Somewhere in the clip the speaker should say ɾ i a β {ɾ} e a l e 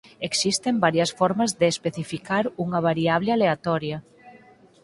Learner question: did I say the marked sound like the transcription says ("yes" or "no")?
no